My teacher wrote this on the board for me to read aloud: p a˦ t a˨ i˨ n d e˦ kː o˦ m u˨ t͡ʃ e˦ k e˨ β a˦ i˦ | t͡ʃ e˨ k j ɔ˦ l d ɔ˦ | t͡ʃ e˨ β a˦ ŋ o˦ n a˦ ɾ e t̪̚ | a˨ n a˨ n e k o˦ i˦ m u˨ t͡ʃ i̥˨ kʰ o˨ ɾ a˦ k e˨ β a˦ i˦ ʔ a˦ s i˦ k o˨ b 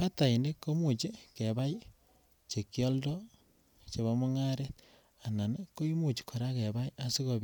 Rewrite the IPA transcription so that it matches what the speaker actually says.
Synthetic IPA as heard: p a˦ t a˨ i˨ n d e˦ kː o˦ m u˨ t͡ʃ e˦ k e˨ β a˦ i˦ | t͡ʃ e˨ k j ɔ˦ l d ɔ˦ | t͡ʃ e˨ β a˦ m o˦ ŋ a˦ ɾ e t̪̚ | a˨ n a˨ n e k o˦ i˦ m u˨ t͡ʃ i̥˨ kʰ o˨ ɾ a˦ k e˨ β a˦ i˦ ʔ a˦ s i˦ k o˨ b